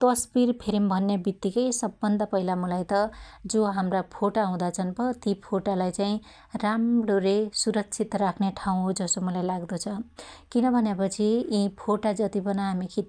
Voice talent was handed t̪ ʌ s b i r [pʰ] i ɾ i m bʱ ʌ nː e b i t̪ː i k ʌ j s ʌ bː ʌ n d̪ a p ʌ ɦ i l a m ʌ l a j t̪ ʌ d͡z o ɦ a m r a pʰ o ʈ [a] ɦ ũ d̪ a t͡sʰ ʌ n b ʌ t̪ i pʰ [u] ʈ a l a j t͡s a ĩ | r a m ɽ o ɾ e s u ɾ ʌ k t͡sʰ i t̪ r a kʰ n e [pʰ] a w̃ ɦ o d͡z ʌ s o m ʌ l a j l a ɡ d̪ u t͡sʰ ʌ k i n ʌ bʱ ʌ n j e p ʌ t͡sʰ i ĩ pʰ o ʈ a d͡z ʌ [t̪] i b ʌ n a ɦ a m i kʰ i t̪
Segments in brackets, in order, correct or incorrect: correct, correct, incorrect: o, incorrect: ʈʰ, correct

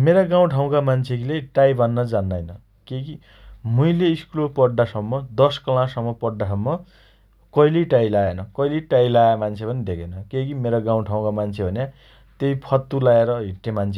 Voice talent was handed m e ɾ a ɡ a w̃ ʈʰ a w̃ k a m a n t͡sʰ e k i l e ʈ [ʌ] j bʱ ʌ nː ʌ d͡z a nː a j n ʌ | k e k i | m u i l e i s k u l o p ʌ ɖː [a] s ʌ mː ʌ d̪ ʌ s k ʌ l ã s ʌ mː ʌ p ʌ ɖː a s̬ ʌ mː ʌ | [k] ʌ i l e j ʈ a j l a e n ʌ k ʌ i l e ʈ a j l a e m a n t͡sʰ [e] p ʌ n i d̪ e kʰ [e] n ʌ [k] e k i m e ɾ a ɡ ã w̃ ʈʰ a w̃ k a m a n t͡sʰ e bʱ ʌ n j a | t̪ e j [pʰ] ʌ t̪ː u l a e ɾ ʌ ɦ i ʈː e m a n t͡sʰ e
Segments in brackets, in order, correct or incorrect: incorrect: a, correct, correct, correct, correct, correct, correct

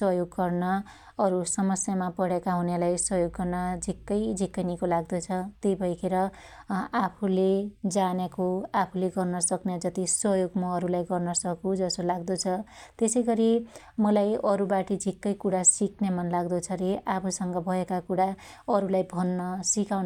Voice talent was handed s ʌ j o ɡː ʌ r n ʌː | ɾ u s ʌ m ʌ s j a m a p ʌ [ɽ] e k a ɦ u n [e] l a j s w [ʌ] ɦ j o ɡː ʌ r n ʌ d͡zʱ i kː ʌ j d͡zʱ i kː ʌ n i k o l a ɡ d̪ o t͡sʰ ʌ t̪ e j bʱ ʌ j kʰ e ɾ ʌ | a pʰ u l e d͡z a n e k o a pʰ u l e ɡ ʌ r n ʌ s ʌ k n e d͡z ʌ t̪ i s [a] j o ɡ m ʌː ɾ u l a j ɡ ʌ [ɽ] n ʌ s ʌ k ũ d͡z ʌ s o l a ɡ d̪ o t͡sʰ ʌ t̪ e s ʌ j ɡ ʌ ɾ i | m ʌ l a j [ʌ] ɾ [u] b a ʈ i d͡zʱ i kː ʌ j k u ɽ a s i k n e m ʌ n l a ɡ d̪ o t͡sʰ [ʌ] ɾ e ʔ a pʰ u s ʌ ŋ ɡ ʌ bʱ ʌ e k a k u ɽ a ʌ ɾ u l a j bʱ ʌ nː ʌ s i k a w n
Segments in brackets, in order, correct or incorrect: correct, correct, correct, incorrect: ʌ, incorrect: r, correct, correct, correct

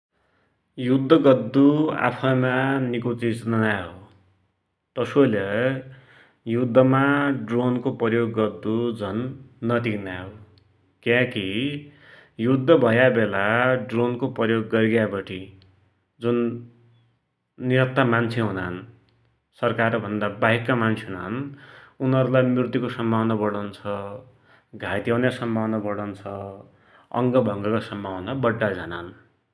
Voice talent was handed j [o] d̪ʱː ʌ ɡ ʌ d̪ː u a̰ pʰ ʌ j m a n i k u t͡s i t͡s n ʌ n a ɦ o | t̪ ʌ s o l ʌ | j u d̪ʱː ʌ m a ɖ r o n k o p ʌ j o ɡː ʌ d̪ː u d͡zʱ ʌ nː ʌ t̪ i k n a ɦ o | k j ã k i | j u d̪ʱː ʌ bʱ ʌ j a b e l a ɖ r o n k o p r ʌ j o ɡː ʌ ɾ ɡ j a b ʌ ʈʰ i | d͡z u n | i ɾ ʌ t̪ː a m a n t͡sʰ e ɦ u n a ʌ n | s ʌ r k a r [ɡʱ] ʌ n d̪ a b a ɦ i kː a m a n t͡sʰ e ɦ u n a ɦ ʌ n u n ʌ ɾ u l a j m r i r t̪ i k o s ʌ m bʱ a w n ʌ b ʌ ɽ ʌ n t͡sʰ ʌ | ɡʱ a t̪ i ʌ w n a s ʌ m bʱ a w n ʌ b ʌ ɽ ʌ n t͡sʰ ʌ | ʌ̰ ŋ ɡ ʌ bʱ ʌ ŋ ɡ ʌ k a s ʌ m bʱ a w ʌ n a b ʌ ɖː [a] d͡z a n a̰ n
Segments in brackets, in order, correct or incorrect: incorrect: u, incorrect: bʱ, correct

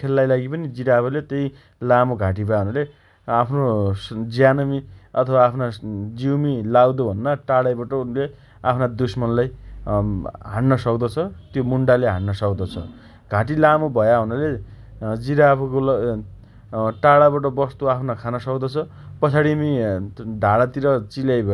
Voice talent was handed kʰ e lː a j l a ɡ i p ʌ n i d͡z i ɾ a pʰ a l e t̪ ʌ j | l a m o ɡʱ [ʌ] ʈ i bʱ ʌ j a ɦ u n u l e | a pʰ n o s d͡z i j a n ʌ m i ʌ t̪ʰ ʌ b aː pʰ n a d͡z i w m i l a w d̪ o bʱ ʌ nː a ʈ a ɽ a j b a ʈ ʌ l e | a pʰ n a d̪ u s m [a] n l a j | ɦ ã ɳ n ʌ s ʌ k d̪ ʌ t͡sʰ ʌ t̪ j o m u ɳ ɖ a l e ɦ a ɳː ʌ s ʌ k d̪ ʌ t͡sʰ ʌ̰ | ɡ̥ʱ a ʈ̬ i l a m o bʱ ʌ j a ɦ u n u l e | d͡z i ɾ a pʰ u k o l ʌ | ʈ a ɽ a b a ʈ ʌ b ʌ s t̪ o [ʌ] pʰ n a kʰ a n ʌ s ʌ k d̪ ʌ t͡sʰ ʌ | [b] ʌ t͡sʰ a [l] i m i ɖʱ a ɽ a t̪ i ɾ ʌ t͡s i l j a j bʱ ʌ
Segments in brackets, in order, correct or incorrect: incorrect: a, incorrect: ʌ, incorrect: a, incorrect: p, incorrect: ɽ

